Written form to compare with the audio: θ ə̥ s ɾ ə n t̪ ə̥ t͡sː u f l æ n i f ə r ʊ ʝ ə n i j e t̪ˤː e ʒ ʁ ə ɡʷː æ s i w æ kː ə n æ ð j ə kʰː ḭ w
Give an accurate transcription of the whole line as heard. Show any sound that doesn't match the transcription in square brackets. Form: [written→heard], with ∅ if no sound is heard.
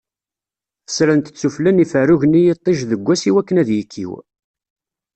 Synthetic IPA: θ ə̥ s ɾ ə n t̪ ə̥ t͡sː u f l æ n i f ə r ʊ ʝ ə n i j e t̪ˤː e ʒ [ʁ→ð] ə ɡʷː æ s i w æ kː ə n æ ð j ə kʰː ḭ w